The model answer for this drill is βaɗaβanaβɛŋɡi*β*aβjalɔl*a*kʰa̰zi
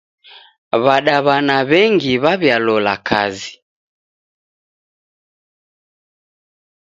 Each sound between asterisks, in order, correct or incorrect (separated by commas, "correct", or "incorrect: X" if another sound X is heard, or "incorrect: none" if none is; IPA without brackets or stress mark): correct, correct